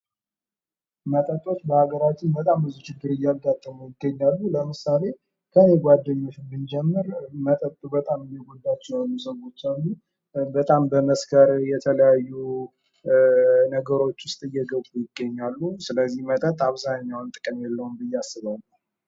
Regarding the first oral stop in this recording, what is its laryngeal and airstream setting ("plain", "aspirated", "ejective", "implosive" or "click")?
ejective